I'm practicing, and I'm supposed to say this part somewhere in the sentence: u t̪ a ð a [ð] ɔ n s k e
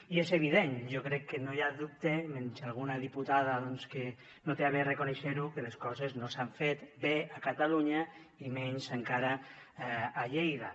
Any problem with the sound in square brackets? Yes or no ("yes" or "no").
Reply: no